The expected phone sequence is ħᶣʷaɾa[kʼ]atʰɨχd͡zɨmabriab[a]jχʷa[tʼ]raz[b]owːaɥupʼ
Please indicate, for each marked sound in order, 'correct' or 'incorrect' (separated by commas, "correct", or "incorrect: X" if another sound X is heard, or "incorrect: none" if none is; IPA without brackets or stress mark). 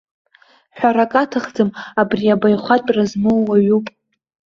correct, correct, correct, incorrect: m